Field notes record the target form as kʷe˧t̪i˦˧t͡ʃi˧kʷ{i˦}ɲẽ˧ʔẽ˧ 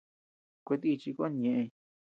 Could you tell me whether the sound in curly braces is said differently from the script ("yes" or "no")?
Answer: yes